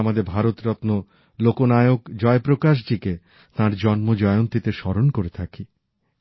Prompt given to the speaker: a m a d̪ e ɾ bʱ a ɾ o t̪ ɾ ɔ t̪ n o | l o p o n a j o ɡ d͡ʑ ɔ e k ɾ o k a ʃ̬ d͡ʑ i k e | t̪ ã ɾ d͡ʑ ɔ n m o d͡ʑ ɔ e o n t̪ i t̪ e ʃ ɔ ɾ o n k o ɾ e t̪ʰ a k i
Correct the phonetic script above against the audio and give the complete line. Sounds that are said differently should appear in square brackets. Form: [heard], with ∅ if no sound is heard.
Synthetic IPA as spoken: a m a d̪ e ɾ bʱ a ɾ o t̪ ɾ ɔ t̪ n o | l o [k] o n a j o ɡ d͡ʑ ɔ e [p] ɾ o k a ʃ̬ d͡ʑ i k e | t̪ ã ɾ d͡ʑ ɔ n m o d͡ʑ ɔ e o n t̪ i t̪ e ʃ ɔ ɾ o n k o ɾ e t̪ʰ a k i